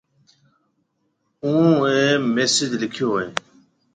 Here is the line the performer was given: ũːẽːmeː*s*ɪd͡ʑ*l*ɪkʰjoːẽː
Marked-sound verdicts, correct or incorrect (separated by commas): correct, correct